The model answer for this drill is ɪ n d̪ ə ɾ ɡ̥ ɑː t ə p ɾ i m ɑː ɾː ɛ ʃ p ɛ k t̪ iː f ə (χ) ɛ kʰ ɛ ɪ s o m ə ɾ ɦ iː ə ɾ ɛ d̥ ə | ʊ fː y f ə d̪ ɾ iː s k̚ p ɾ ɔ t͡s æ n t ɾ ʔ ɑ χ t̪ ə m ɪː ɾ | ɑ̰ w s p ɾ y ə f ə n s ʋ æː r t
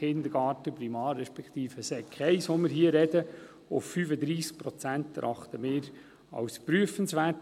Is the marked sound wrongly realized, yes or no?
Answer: yes